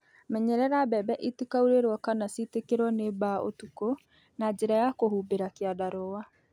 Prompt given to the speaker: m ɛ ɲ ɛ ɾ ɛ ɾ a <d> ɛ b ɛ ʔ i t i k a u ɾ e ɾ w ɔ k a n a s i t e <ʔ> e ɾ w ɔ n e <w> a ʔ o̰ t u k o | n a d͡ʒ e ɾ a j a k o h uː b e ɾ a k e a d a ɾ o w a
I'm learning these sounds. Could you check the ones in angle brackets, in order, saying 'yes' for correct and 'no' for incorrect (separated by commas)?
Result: no, no, no